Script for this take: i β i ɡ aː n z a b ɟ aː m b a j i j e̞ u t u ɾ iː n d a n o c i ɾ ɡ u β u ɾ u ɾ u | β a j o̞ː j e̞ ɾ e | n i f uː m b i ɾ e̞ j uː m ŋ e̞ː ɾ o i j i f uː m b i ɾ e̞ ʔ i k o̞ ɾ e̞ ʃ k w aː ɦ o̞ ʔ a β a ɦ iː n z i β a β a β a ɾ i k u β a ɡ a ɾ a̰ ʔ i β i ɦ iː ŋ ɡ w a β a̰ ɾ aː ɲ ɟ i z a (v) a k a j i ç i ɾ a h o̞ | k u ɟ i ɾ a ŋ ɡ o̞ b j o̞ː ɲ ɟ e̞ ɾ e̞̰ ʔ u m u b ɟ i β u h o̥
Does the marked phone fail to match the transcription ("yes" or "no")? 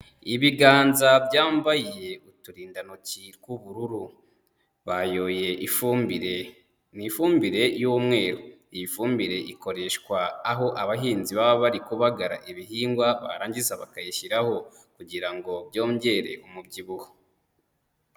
yes